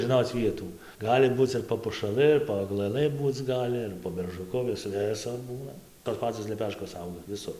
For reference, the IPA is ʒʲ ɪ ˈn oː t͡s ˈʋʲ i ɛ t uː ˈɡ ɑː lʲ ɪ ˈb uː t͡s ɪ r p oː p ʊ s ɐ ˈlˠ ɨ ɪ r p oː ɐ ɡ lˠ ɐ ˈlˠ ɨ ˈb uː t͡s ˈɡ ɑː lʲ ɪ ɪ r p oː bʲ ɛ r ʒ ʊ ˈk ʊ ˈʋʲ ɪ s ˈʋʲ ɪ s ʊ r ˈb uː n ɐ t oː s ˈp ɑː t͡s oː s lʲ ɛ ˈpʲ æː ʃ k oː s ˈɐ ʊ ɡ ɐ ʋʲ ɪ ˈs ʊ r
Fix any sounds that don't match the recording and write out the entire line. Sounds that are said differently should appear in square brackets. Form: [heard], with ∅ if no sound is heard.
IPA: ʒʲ ɪ ˈn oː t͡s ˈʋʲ i ɛ t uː ˈɡ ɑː lʲ ɪ ˈb uː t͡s ɪ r p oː p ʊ [ʃ] ɐ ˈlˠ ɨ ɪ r p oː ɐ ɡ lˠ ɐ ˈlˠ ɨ ˈb uː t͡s ˈɡ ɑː lʲ ɪ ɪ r p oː bʲ ɛ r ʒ ʊ ˈk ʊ ˈʋʲ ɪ s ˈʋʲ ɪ s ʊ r ˈb uː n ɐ t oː s ˈp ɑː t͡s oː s lʲ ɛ ˈpʲ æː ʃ k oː s ˈɐ ʊ ɡ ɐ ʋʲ ɪ ˈs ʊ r